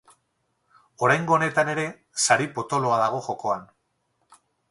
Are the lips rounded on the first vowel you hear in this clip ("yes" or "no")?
yes